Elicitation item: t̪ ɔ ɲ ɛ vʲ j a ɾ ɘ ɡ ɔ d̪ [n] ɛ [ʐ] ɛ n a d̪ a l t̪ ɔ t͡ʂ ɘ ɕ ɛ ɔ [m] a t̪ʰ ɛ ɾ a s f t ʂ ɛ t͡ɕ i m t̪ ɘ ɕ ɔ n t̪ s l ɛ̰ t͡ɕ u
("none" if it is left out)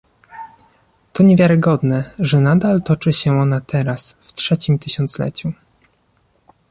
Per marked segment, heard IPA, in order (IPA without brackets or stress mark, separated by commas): n, ʐ, n